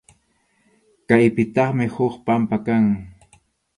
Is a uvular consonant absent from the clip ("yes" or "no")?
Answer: no